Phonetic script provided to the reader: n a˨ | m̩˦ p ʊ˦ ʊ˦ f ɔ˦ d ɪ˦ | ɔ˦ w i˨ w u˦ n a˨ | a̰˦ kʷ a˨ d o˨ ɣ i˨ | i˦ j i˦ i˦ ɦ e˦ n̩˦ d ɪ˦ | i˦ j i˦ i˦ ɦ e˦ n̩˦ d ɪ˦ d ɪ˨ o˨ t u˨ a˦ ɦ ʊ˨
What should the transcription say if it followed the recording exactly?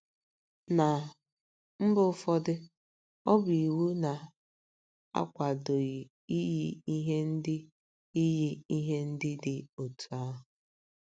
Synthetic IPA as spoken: n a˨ | m̩˦ b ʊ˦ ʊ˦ f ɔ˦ d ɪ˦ | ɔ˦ b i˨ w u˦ n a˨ | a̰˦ kʷ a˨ d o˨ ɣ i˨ | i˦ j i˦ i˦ ɦ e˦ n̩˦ d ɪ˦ | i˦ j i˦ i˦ ɦ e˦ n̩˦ d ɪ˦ d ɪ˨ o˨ t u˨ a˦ ɦ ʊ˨

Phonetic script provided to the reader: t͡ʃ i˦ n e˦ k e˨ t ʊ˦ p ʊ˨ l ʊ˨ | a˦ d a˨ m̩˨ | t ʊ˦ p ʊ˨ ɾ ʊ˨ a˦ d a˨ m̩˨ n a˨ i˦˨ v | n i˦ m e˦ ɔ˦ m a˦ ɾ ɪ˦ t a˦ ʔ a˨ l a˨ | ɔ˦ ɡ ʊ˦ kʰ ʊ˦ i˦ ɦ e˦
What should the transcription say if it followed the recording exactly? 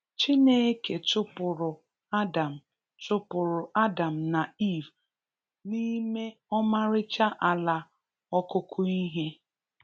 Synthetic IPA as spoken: t͡ʃ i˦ n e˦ k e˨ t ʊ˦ p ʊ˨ ɾ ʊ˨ | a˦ d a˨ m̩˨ | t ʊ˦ p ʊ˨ ɾ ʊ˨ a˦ d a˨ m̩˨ n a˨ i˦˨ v | n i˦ m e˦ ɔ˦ m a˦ ɾ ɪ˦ t͡ʃ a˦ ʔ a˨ l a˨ | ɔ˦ k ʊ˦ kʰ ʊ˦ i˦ ɦ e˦

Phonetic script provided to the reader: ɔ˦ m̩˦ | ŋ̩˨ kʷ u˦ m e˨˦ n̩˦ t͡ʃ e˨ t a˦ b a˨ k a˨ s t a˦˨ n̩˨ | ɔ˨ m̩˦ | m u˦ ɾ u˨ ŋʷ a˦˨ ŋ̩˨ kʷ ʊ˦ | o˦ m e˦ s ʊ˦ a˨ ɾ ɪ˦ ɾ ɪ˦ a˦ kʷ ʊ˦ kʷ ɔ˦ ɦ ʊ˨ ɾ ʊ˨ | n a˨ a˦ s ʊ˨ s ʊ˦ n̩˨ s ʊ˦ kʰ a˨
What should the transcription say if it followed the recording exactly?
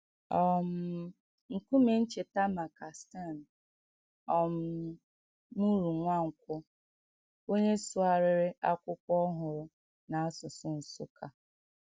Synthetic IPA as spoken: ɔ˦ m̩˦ | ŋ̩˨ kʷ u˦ m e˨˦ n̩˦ t͡ʃ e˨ t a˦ m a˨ k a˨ s t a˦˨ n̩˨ | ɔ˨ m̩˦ | m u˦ ɾ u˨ ŋʷ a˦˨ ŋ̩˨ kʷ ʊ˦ | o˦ ɲ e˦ s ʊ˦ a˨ ɾ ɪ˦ ɾ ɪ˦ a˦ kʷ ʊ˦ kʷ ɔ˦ ɦ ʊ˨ ɾ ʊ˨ | n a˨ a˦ s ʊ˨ s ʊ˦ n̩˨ s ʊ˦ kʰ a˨

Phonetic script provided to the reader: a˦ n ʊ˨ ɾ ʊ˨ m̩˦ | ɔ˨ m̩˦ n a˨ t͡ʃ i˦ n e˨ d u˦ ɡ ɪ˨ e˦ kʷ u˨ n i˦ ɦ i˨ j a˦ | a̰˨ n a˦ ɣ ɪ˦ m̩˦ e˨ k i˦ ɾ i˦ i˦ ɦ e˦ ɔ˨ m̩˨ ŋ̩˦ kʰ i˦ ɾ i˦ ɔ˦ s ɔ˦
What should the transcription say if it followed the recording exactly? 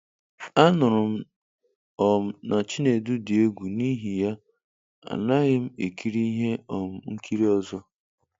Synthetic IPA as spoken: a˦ n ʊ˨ ɾ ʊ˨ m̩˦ | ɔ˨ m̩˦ n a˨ t͡ʃ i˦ n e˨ d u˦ d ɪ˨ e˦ ɡʷ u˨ n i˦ ɦ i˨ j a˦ | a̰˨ n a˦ ɣ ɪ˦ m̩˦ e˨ k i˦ ɾ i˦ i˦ ɦ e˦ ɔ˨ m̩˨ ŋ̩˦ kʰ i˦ ɾ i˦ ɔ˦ z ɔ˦

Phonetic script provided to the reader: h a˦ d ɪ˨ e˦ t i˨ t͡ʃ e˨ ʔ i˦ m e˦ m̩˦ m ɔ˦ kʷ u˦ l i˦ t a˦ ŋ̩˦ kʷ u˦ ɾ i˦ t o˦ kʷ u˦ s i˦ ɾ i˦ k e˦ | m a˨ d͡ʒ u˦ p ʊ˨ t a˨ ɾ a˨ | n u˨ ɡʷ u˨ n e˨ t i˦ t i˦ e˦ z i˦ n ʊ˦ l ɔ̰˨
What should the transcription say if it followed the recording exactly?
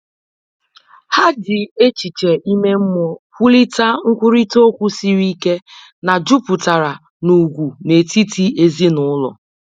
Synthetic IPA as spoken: h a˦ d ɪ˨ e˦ t͡ʃ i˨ t͡ʃ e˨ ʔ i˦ m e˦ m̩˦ m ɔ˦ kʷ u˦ l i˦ t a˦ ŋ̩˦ kʷ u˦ ɾ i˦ t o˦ kʷ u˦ s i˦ ɾ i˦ k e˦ | n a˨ d͡ʒ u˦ p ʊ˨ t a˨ ɾ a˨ | n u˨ ɡʷ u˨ n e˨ t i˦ t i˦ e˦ z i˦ n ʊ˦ l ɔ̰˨

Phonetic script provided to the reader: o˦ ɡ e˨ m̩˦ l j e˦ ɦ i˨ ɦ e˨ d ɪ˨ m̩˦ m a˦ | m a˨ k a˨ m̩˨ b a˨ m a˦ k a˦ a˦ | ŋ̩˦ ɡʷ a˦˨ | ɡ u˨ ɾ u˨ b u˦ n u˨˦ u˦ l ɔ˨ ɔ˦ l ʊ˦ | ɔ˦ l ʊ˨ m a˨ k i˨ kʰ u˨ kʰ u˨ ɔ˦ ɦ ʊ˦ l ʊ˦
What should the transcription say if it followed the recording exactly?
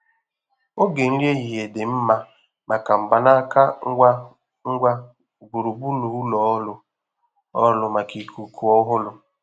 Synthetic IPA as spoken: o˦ ɡ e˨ n̩˦ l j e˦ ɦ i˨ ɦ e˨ d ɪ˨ m̩˦ m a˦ | m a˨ k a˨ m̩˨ b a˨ n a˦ k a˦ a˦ | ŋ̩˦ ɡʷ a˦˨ | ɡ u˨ ɾ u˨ b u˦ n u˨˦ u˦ l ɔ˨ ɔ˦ l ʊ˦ | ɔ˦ l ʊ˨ m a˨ k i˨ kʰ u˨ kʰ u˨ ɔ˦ ɦ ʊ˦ l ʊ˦

